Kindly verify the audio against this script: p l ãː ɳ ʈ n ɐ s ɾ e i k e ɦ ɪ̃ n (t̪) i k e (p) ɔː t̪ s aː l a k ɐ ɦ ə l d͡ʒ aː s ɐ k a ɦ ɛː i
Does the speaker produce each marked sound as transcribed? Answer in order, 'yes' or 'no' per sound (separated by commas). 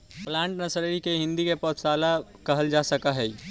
no, yes